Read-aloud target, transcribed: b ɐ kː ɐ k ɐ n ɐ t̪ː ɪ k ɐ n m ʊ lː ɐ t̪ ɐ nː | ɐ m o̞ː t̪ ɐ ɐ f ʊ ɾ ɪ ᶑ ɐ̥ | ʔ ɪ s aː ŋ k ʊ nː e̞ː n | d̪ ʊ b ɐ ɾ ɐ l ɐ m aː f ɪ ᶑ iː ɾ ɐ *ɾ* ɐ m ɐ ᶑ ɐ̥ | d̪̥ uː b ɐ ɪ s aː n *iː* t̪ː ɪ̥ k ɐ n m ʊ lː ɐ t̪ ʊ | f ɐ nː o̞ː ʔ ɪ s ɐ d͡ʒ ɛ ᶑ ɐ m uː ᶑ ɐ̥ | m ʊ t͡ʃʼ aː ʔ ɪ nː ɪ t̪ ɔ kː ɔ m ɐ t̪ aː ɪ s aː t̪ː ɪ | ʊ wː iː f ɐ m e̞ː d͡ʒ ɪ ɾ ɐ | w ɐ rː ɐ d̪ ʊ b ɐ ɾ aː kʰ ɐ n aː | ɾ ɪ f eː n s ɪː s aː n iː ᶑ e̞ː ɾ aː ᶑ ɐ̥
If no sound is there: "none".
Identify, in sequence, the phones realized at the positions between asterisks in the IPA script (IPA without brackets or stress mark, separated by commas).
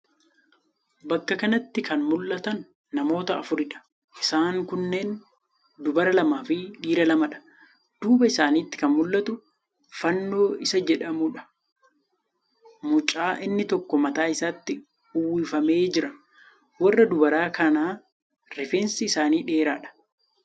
l, iː